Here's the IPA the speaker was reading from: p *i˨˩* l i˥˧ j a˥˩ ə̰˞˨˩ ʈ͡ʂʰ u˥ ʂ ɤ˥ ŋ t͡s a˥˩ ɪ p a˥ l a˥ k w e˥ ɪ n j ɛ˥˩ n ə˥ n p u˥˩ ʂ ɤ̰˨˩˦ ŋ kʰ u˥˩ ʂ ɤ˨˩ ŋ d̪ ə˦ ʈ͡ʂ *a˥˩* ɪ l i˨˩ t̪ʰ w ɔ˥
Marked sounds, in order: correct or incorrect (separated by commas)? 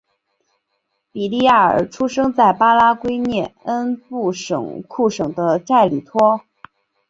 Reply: correct, correct